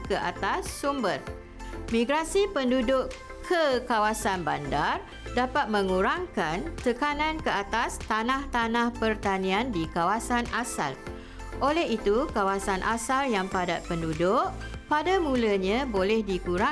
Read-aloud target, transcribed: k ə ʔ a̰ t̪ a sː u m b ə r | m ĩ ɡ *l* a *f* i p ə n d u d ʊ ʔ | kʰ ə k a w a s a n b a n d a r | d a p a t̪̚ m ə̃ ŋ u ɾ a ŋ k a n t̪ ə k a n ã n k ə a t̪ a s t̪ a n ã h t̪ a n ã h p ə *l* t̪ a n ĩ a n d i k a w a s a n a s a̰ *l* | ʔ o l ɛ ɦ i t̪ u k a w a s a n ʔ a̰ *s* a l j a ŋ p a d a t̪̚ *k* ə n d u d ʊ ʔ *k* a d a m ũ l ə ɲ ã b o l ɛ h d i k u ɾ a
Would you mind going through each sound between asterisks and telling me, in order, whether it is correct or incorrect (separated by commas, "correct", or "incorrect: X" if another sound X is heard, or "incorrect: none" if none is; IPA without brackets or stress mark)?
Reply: incorrect: ɾ, incorrect: s, incorrect: r, correct, correct, incorrect: p, incorrect: p